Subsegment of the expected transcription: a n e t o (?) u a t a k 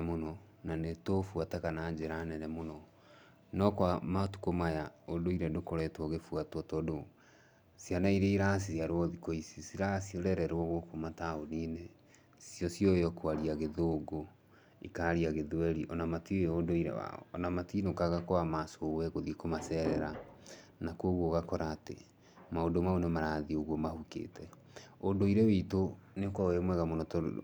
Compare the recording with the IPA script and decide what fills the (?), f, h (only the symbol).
f